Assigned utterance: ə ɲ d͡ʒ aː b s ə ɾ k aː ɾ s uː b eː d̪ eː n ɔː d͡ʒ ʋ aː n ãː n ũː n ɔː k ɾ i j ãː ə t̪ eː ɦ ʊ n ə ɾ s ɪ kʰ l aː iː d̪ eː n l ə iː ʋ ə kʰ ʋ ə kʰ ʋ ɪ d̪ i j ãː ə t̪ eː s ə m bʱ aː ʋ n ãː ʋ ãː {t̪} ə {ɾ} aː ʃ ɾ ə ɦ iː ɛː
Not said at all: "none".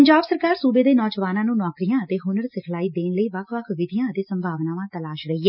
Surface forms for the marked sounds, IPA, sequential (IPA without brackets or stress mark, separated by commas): t̪, l